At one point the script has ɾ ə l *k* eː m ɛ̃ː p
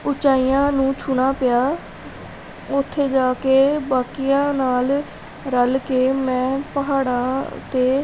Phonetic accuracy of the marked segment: correct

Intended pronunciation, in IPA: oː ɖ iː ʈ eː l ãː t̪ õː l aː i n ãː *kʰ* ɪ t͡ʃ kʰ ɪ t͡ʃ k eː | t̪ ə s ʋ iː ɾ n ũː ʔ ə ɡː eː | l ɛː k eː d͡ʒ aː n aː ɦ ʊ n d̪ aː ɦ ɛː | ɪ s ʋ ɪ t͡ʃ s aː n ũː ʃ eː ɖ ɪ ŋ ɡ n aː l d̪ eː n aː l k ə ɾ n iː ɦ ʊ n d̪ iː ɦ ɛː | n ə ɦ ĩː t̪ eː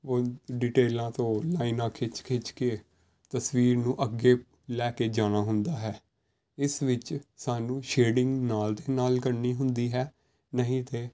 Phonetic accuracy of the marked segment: correct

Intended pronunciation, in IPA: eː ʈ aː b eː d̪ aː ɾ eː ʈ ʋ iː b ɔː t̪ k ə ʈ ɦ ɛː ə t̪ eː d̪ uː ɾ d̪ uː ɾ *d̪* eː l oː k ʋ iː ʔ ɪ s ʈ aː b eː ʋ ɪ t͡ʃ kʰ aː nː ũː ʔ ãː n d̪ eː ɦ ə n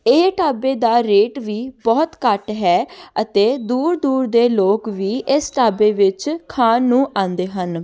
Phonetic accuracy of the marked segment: correct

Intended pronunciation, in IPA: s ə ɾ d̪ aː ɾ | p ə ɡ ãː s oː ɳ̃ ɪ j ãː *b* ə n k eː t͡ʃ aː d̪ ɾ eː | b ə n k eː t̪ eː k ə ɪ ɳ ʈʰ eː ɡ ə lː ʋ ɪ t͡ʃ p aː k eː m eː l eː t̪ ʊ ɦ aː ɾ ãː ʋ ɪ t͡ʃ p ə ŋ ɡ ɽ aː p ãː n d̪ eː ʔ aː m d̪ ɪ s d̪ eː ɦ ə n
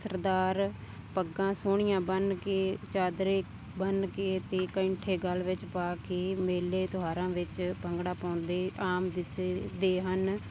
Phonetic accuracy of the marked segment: correct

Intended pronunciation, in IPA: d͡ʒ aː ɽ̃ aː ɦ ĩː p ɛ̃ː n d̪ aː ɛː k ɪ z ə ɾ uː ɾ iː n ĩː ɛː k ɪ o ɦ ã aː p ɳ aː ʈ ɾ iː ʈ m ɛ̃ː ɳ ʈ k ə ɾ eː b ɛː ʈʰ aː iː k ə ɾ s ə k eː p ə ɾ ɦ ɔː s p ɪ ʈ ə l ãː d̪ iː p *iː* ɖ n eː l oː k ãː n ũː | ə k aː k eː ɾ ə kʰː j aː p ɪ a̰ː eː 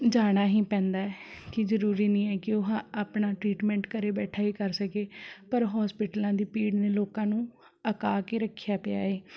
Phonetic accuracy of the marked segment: correct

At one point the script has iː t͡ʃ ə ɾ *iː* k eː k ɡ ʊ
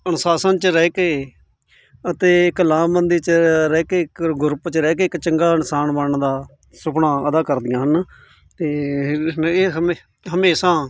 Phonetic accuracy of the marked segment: incorrect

